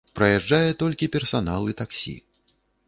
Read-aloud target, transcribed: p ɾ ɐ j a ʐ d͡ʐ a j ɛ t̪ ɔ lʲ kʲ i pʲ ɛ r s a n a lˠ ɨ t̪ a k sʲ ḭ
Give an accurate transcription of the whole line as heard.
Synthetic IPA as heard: p ɾ ɐ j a ʐ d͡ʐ a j ɛ t̪ ɔ lʲ kʲ i pʲ ɛ r s a n a lˠ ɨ t̪ a k sʲ ḭ